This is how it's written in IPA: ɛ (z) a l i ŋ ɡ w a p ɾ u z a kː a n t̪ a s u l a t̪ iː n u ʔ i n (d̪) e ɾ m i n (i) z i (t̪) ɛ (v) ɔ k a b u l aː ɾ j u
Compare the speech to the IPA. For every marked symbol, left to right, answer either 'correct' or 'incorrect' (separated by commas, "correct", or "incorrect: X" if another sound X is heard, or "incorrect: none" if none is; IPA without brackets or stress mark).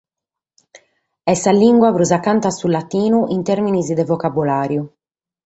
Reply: incorrect: s, incorrect: t̪, correct, incorrect: d̪, correct